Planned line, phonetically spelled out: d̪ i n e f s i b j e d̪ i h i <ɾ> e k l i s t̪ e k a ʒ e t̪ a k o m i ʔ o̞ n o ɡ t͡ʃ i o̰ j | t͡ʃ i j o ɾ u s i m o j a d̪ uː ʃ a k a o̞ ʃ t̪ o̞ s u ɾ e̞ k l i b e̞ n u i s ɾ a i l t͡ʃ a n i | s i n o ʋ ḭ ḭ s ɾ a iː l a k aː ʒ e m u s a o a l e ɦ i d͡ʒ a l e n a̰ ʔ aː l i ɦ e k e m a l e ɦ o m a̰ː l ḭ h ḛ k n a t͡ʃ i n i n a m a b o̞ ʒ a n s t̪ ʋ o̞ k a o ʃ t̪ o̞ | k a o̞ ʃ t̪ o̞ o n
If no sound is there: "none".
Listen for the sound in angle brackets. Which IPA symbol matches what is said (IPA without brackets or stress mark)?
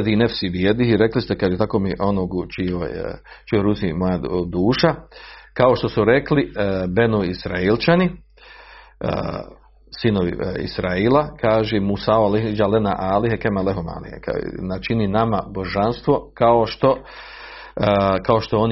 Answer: ɾ